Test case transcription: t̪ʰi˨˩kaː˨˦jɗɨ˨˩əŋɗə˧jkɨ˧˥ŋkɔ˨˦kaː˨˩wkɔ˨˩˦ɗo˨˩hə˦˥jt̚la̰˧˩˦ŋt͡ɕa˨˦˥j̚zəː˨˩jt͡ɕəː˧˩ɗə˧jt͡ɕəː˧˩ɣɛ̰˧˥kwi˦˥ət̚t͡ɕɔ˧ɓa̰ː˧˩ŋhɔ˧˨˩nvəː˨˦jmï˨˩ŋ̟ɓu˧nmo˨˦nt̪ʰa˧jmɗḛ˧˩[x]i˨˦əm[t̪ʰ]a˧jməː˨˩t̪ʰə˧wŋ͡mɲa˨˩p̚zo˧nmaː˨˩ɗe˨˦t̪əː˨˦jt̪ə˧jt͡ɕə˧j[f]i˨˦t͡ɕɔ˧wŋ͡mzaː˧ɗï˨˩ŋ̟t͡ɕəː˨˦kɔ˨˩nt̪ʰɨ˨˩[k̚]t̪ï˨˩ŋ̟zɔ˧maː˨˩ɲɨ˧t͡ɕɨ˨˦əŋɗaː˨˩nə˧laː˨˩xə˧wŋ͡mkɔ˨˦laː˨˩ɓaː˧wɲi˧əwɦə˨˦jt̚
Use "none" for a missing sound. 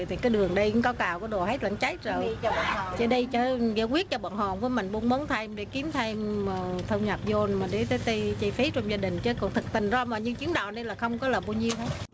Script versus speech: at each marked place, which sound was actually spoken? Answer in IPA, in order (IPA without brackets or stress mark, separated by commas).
k, t̪ʰ, f, k̚